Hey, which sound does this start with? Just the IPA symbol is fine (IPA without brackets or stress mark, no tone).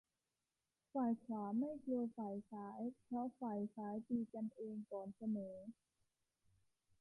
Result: f